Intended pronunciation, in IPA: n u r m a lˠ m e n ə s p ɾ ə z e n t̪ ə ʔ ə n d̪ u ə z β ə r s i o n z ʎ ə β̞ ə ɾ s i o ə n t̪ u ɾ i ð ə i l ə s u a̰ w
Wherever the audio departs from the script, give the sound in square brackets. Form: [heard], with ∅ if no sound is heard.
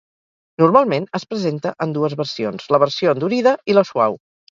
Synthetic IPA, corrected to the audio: n u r m a lˠ m e n ə s p ɾ ə z e n t̪ ə ʔ ə n d̪ u ə z β ə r s i o n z [l] ə β̞ ə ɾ s i o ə n [d̪] u ɾ i ð ə i l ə s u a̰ w